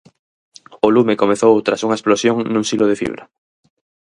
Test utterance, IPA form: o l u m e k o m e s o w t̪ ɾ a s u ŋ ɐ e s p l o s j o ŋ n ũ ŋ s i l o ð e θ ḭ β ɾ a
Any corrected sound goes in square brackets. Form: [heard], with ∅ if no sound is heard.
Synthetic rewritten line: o l u m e k o m e [θ] o w t̪ ɾ a s u ŋ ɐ e s p l o s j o ŋ n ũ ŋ s i l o ð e [f] ḭ β ɾ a